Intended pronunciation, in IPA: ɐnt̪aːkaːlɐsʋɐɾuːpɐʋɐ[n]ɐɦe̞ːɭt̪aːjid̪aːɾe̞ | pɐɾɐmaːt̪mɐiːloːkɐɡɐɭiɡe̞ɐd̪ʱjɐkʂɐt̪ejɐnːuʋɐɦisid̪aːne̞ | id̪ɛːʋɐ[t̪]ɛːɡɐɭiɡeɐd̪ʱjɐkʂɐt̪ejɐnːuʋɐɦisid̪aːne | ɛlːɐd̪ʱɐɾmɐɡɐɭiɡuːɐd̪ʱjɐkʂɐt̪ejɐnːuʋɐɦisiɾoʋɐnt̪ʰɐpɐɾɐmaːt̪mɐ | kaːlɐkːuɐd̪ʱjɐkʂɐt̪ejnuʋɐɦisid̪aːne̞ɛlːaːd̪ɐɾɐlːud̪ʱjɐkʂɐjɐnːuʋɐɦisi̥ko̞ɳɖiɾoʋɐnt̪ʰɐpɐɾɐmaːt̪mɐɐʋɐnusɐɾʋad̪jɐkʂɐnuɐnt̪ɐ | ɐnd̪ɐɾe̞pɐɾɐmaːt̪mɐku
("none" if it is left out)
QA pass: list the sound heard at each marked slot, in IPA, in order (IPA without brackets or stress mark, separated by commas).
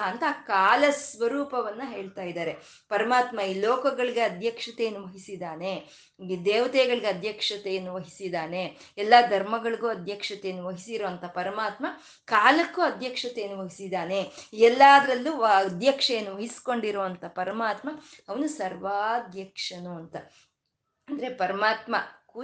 nː, t̪